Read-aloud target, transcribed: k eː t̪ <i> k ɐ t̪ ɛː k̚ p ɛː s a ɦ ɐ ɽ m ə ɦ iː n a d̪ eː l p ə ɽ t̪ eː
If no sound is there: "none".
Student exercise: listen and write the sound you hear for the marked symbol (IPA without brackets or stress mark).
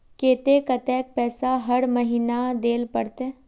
e